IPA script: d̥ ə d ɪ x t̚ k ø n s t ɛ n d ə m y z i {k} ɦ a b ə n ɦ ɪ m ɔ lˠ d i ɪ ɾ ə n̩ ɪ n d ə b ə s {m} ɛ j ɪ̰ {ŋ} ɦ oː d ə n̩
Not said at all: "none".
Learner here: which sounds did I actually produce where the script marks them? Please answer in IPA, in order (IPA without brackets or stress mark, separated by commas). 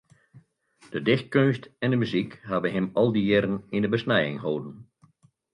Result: k, n, ŋ